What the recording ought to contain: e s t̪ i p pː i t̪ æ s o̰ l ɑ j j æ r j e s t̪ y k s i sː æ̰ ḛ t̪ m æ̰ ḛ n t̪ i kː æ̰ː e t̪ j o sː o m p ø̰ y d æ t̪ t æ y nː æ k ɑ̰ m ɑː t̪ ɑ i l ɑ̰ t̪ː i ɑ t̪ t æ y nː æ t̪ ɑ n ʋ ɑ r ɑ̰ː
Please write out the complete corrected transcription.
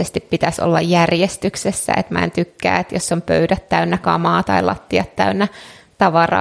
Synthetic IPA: e s t̪ i p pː i t̪ æ s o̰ lː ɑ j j æ r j e s t̪ y k s e sː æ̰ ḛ t̪ m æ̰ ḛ n t̪ y kː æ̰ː e t̪ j o sː o m p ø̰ y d æ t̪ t æ y nː æ k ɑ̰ m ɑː t̪ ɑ i l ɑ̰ t̪ː i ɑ t̪ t æ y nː æ t̪ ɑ ʋ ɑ r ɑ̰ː